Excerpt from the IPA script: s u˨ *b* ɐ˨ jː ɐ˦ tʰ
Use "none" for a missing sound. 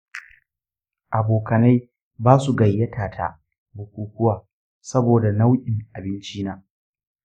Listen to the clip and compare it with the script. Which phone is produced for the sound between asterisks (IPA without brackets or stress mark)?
ɡ